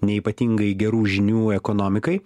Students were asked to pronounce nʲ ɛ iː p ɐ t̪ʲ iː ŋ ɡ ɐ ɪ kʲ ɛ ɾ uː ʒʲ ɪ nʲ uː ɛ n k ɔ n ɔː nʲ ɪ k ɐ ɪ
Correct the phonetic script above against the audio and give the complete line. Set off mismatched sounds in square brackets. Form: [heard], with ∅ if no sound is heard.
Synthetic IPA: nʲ ɛ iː p ɐ t̪ʲ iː ŋ ɡ ɐ ɪ [ɡʲ] ɛ ɾ uː ʒʲ ɪ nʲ uː ɛ [∅] k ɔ n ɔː [mʲ] ɪ k ɐ ɪ